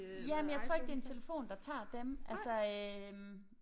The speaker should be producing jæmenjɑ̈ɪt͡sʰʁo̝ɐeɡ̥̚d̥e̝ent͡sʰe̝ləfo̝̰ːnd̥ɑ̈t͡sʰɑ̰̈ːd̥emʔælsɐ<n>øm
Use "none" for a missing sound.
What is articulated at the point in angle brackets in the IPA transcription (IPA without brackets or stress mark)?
none